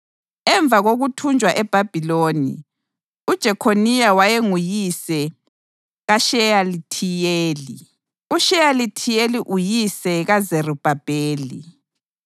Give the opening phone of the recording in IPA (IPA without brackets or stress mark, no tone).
ɛ